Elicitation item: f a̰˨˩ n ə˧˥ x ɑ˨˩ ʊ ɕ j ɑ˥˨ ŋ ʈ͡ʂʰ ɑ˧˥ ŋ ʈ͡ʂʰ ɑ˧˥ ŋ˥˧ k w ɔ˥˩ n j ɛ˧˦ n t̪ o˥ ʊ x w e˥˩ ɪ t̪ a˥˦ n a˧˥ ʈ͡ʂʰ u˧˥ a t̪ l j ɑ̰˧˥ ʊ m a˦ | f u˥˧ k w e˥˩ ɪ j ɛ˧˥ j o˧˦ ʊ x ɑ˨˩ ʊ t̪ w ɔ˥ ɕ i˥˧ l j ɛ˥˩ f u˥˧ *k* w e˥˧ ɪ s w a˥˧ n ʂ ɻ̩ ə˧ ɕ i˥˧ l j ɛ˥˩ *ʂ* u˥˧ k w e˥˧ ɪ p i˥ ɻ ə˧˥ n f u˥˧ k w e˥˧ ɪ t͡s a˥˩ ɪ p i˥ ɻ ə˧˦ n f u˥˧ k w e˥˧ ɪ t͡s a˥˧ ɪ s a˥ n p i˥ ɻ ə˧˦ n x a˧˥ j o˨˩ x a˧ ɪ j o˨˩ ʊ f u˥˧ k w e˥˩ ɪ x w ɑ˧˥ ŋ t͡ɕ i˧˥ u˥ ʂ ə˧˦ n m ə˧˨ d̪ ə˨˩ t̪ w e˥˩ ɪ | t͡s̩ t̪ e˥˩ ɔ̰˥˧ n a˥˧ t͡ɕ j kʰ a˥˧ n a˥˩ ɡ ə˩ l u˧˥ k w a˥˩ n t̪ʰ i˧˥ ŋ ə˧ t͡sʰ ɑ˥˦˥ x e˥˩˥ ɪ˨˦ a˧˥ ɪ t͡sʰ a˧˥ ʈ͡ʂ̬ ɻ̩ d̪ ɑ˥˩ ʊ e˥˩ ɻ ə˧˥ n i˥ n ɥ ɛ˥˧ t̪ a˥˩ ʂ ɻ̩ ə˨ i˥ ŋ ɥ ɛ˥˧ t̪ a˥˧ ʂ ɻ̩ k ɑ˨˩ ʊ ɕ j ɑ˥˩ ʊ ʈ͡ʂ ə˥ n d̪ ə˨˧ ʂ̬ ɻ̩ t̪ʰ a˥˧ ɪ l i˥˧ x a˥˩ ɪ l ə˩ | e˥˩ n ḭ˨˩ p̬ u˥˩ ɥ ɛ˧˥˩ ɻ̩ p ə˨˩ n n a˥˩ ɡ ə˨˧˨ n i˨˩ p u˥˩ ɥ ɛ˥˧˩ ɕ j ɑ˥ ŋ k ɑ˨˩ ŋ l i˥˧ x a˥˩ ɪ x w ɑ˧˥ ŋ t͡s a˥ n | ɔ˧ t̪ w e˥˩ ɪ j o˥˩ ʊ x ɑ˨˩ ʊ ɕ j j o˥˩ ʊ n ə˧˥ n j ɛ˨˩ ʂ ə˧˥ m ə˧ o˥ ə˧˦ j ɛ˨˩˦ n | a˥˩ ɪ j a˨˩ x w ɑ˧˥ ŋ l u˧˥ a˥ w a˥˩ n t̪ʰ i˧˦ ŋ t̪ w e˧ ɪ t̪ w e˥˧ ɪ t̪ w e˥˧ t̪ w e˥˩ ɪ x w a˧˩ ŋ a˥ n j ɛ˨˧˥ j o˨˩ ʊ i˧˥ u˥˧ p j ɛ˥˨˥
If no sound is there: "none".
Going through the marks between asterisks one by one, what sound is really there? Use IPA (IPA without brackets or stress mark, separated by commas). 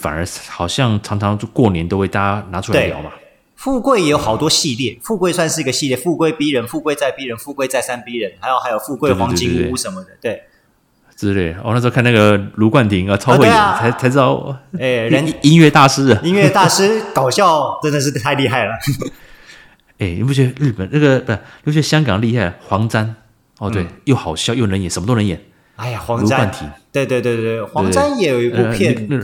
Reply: k, f